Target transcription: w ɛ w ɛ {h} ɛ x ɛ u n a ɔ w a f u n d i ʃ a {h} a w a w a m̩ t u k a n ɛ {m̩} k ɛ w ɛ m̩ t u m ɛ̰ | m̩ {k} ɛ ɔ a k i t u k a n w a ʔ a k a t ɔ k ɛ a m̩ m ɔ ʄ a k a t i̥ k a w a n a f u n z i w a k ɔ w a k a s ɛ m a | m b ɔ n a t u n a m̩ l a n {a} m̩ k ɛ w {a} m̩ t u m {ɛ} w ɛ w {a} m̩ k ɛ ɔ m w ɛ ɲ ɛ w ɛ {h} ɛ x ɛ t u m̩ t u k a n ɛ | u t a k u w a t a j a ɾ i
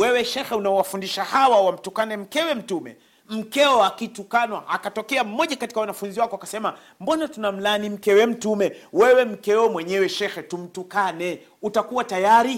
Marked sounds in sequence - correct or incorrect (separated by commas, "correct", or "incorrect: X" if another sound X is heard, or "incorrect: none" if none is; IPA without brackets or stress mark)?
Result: incorrect: ʃ, correct, correct, correct, incorrect: i, incorrect: ɛ, correct, incorrect: ɛ, incorrect: ʃ